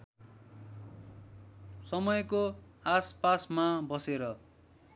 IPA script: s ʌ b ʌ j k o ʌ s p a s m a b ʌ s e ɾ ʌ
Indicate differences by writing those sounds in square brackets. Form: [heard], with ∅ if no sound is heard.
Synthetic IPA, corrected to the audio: s ʌ [m] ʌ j k o [a] s p a s m a b ʌ s e ɾ ʌ

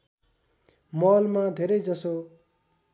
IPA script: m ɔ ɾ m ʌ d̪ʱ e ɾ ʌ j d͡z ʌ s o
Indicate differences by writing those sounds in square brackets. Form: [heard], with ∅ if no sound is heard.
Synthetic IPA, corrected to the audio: m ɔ [l] m [a] d̪ʱ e ɾ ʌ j d͡z ʌ s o

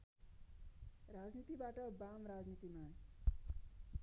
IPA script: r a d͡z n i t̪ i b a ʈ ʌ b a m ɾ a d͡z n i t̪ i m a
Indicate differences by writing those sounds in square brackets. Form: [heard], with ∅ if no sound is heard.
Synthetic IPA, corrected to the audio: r a d͡z n i t̪ i b a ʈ ʌ b a m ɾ a d͡z n i t̪ i m a

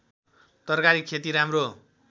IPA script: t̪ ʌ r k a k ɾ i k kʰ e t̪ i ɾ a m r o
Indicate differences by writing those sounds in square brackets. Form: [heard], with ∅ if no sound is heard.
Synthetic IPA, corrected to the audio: t̪ ʌ r k a [∅] ɾ i k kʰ e t̪ i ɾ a m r o

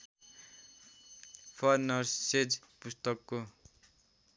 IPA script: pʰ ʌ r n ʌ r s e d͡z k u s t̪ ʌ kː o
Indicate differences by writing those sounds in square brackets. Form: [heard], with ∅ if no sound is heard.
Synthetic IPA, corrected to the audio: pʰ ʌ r n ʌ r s e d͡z [p] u s t̪ ʌ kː o

